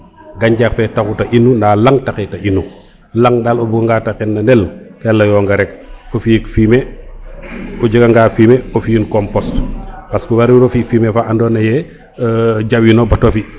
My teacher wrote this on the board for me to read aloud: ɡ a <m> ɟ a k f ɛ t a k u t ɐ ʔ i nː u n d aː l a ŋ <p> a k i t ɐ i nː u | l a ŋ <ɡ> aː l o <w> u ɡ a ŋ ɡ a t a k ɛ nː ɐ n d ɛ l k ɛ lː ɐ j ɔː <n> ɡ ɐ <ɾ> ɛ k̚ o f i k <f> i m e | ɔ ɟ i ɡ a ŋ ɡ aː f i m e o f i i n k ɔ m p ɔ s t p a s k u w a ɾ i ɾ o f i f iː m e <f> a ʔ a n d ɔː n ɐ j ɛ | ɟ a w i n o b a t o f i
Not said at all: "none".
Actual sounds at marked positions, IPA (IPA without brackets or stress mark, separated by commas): ɲ, t, d, b, ŋ, ɾ, f, f